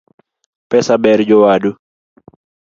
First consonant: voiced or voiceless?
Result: voiceless